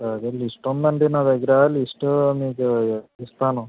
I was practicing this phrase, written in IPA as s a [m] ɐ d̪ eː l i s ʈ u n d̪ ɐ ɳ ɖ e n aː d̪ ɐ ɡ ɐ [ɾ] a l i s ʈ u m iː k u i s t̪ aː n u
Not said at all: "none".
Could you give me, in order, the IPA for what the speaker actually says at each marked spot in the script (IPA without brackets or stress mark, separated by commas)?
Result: none, ɾ